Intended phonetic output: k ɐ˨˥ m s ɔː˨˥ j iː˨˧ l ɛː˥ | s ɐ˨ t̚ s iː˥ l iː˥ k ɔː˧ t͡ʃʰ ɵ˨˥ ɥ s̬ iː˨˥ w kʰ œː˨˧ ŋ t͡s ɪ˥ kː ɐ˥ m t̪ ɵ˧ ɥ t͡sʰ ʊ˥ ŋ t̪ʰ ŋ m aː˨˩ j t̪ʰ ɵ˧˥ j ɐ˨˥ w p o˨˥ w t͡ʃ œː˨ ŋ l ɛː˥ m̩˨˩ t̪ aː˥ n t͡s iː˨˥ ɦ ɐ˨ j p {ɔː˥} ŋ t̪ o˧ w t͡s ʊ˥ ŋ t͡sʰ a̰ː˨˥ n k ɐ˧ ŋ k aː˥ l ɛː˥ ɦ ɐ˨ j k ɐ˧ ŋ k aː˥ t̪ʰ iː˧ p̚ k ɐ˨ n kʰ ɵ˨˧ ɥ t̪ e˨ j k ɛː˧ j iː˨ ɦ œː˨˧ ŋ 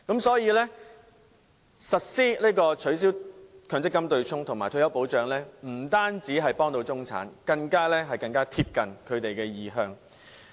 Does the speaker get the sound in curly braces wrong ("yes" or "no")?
no